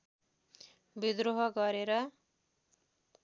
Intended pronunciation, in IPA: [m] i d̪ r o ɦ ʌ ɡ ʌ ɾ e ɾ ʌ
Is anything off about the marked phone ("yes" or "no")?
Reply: yes